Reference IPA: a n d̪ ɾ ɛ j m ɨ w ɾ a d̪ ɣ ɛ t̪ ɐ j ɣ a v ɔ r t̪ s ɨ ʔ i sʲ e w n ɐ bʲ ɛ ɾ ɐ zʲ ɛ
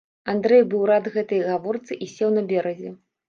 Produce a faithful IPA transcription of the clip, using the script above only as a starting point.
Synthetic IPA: a n d̪ ɾ ɛ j b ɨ w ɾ a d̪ ɣ ɛ t̪ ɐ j ɣ a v ɔ r t̪ s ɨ ʔ i sʲ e w n ɐ bʲ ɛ ɾ ɐ zʲ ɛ